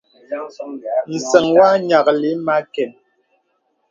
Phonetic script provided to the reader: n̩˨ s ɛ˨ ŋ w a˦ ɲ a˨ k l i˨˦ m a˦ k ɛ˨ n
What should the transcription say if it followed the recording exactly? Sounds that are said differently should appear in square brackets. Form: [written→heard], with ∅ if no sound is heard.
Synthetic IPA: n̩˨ s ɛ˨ ŋ w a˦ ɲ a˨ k l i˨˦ m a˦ k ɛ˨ n